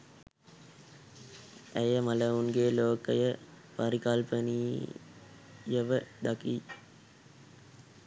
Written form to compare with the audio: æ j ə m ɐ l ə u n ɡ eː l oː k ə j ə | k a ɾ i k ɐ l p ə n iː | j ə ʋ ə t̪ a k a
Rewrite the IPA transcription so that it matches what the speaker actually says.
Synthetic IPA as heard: æ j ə m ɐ l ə u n ɡ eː l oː k ə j ə | p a ɾ i k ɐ l p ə n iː | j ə ʋ ə d̪ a k i